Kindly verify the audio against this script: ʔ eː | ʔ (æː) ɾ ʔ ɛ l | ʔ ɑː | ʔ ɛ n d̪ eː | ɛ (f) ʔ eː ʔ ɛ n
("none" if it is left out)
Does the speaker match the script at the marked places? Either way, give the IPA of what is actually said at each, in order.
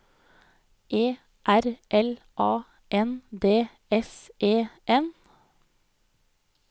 æ, s

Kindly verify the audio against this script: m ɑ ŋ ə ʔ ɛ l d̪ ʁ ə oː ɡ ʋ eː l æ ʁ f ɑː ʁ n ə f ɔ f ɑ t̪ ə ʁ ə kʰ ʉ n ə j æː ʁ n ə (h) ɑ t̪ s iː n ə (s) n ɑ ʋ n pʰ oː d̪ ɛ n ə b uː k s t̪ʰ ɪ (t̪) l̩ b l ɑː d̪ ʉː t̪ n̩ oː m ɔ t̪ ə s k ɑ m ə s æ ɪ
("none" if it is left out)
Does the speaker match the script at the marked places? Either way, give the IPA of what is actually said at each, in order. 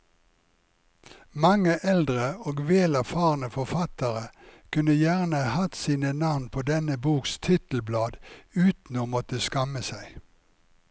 h, none, t̪

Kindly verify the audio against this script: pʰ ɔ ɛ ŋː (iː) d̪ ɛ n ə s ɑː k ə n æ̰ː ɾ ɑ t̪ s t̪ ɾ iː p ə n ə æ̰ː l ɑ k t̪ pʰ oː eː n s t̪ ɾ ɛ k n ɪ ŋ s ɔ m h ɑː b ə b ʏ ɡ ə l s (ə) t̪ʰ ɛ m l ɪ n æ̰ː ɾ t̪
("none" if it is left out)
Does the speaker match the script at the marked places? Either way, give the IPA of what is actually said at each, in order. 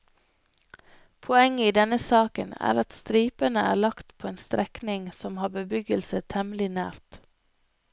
iː, ə

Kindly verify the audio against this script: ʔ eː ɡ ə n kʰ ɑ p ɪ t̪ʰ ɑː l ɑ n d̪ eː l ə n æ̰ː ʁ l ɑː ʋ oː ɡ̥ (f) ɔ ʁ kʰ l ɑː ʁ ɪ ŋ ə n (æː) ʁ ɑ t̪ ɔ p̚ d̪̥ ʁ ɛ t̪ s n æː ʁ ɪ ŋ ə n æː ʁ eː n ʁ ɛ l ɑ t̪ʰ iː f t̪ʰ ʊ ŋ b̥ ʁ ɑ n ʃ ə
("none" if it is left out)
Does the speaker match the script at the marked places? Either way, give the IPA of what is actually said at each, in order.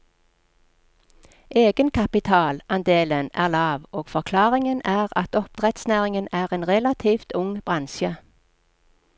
f, æː

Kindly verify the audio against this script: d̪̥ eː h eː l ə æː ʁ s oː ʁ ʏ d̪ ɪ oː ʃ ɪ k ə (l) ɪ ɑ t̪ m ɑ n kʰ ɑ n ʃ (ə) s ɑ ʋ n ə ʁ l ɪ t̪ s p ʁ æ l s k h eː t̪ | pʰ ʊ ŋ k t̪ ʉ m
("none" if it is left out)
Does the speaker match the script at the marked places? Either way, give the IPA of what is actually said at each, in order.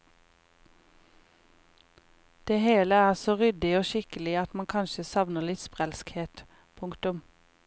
l, ə

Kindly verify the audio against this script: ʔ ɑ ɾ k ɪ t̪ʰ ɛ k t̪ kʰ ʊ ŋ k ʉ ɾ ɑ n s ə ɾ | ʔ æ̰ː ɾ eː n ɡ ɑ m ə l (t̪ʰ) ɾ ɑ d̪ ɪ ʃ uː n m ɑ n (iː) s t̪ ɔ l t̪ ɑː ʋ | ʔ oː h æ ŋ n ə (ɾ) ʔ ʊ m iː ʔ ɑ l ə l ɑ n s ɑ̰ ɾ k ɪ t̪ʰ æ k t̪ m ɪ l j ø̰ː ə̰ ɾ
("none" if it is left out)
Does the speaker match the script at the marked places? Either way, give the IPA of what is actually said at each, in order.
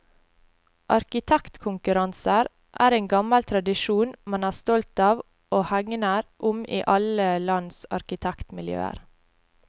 t̪ʰ, æː, ɾ

